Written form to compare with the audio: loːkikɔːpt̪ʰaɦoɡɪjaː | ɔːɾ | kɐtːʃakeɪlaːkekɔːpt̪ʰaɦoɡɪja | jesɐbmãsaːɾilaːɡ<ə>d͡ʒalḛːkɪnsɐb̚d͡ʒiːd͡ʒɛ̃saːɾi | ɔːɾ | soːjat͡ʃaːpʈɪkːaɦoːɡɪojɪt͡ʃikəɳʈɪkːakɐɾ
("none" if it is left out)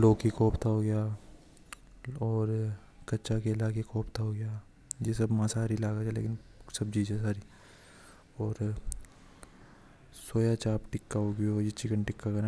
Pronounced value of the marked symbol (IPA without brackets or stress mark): a